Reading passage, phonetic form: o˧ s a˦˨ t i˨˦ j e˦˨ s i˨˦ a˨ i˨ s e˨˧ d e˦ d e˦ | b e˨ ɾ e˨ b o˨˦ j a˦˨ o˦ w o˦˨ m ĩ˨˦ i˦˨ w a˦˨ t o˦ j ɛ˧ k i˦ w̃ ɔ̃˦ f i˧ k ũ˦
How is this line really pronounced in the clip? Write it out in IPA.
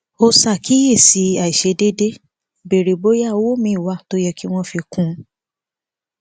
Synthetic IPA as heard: o˧ s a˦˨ k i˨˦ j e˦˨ s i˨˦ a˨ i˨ ʃ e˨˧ d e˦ d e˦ | b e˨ ɾ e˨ b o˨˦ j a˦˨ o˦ w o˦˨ m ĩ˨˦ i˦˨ w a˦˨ t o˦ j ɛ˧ k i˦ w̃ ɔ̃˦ f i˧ k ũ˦